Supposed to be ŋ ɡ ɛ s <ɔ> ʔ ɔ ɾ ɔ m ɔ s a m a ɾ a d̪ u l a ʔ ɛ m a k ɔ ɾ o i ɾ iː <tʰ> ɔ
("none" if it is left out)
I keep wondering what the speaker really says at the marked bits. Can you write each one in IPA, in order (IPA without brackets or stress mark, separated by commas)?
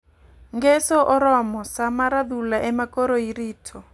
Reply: ɔ, tʰ